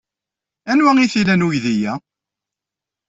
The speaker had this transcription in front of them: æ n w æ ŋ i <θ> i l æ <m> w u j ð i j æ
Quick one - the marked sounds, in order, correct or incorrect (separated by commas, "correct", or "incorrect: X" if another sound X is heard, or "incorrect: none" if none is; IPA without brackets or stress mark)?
correct, incorrect: n